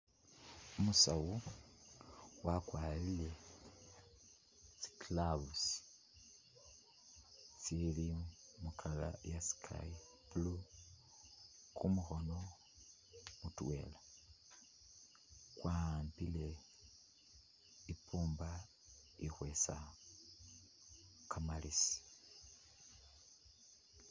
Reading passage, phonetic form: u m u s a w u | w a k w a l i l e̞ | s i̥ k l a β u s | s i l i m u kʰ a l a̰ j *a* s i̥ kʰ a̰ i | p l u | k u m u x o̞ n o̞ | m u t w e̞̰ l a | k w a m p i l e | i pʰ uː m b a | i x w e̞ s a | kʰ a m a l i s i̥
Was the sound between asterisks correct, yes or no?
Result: yes